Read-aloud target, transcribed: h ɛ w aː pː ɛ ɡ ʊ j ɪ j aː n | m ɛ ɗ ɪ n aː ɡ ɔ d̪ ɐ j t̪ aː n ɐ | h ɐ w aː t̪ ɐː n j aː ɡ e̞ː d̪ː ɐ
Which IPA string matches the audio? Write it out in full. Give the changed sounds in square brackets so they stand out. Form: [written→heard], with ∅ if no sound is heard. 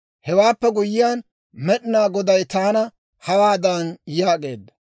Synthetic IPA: h ɛ w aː pː ɛ ɡ ʊ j ɪ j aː n | m ɛ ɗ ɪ n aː ɡ ɔ d̪ ɐ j t̪ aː n ɐ | h ɐ w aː [t̪→d̪] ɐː n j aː ɡ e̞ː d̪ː ɐ